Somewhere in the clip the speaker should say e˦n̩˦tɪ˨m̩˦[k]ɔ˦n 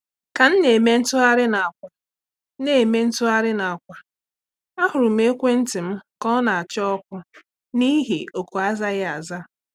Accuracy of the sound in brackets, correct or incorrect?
correct